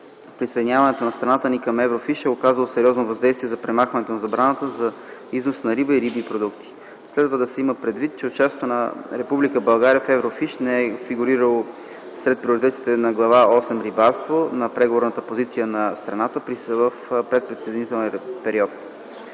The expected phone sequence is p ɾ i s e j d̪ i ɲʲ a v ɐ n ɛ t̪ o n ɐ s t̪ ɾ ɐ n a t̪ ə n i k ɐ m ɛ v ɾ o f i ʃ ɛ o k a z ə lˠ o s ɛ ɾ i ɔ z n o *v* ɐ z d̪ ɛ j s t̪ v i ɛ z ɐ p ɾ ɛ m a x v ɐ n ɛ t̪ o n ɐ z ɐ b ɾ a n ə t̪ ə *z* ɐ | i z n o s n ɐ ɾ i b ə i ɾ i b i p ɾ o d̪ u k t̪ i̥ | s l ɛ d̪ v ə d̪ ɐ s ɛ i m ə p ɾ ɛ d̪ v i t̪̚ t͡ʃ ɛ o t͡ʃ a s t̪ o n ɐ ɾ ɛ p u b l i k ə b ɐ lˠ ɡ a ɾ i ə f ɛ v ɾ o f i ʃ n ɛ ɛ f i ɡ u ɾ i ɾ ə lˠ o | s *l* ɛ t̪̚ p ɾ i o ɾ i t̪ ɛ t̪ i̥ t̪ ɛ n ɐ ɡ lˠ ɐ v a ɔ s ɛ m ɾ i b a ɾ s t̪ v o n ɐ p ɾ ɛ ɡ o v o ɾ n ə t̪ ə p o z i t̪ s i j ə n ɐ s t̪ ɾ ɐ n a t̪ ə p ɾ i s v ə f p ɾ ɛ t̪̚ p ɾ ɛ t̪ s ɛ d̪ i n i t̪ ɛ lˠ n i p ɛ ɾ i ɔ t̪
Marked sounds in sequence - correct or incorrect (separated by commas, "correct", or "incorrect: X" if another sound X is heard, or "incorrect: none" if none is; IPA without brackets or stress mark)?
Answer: correct, correct, incorrect: ɾ